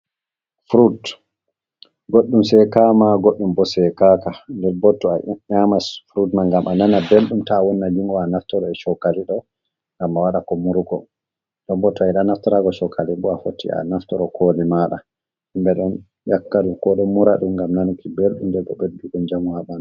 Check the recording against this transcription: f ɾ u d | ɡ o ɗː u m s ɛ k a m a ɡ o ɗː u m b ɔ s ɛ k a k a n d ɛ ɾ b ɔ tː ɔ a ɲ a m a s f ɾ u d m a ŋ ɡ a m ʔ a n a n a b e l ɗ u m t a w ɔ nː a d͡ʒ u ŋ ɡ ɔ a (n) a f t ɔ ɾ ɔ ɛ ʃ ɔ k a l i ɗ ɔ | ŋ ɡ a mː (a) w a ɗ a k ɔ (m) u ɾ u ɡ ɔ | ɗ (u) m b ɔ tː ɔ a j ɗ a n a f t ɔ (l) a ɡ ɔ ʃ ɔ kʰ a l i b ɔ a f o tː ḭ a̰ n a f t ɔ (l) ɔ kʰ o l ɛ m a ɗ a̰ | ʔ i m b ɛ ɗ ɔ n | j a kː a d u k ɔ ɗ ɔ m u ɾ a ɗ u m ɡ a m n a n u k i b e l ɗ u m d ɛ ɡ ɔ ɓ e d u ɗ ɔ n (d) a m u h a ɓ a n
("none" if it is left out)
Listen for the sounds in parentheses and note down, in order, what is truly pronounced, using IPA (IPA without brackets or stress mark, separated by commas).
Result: n, a, m, ɔ, ɾ, ɾ, d͡ʒ